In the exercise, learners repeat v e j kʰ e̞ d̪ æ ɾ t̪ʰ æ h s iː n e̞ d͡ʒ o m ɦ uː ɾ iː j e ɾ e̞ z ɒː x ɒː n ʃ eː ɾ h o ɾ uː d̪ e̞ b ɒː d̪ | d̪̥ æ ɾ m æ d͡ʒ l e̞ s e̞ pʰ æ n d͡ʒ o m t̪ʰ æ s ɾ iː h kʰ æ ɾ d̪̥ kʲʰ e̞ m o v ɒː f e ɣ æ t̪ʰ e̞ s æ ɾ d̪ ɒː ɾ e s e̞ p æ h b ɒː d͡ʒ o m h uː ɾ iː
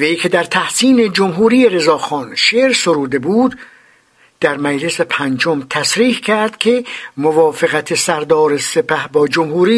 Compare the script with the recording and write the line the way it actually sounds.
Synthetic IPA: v e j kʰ e̞ d̪ æ ɾ t̪ʰ æ h s iː n e̞ d͡ʒ o m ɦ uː ɾ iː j e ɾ e̞ z ɒː x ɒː n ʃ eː ɾ s o ɾ uː d̪ e̞ b uː d̪ | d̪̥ æ ɾ m æ d͡ʒ l e̞ s e̞ pʰ æ n d͡ʒ o m t̪ʰ æ s ɾ iː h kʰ æ ɾ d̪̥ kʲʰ e̞ m o v ɒː f e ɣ æ t̪ʰ e̞ s æ ɾ d̪ ɒː ɾ e s e̞ p æ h b ɒː d͡ʒ o m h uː ɾ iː